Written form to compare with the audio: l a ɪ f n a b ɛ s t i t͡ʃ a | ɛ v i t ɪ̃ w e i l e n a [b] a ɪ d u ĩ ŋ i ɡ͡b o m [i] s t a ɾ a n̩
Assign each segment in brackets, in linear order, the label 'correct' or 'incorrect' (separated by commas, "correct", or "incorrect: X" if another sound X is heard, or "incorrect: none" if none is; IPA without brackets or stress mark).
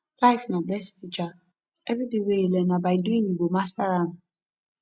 correct, incorrect: a